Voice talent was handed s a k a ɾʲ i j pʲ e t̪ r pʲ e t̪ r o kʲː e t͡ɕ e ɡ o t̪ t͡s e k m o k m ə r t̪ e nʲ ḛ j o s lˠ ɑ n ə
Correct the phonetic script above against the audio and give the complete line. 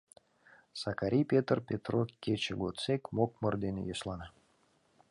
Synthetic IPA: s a k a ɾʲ i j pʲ e t̪ r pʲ e t̪ r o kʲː e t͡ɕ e ɡ o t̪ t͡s e k m o k m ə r d̪ e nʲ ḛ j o s lˠ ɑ n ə